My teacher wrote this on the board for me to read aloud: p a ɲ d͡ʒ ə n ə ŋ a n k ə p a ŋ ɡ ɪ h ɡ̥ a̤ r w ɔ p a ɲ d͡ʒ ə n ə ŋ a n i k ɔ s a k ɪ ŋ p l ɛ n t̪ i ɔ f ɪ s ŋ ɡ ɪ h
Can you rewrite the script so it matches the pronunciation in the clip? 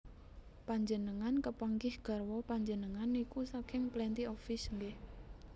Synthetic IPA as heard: p a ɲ d͡ʒ ə n ə ŋ a n k ə p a ŋ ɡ ɪ h ɡ̥ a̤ r w ɔ p a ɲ d͡ʒ ə n ə ŋ a n i k u s a k ɪ ŋ p l ɛ n t̪ i ɔ f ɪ s ŋ ɡ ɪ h